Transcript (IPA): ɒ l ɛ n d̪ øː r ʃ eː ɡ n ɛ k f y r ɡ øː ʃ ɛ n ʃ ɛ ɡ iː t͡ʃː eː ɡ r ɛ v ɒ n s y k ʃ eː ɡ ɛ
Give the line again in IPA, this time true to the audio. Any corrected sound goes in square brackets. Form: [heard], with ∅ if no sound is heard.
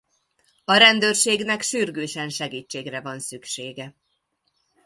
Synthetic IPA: ɒ [ɾ] ɛ n d̪ øː r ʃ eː ɡ n ɛ k [ʃ] y r ɡ øː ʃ ɛ n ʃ ɛ ɡ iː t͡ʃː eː ɡ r ɛ v ɒ n s y k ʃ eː ɡ ɛ